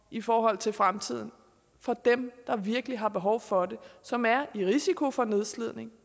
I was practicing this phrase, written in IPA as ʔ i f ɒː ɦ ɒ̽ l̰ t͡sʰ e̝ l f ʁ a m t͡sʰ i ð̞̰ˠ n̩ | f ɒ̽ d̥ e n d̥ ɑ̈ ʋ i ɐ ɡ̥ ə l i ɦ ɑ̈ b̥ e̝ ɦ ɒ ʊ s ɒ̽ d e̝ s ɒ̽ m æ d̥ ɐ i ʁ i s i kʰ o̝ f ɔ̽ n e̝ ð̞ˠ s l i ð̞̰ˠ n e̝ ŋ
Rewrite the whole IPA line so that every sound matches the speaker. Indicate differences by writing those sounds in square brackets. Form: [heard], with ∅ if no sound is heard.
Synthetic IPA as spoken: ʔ i f ɒː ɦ ɒ̽ l̰ t͡sʰ e̝ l f ʁ a m t͡sʰ i ð̞̰ˠ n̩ | f ɒ̽ d̥ e [m] d̥ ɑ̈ ʋ i ɐ ɡ̥ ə l i ɦ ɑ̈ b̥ e̝ ɦ ɒ ʊ [f] ɒ̽ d e̝ s ɒ̽ m æ [∅] ɐ i ʁ i s i kʰ o̝ f [ɒ̽] n e̝ ð̞ˠ s l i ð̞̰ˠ n e̝ ŋ